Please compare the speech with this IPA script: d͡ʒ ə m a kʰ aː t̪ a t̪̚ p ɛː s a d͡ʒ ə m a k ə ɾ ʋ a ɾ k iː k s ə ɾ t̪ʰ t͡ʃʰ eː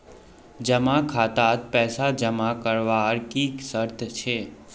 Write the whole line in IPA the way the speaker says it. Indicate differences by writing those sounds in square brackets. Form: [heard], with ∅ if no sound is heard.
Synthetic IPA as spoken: d͡ʒ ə m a kʰ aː t̪ a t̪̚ p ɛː s a d͡ʒ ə m a k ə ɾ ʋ a ɾ k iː k s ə ɾ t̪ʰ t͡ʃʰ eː